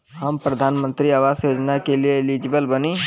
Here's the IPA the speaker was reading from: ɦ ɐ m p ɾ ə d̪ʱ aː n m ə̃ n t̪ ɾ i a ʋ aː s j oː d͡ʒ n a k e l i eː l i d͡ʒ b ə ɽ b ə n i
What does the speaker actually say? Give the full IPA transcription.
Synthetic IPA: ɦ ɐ m p ɾ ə d̪ʱ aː n m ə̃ n t̪ ɾ i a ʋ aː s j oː d͡ʒ n a k e l i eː l i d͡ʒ b ə l b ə n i